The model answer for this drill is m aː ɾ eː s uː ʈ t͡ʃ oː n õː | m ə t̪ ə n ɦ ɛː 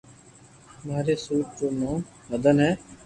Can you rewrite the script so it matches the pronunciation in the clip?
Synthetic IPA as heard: m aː ɾ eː s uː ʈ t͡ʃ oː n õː | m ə d̪ ə n ɦ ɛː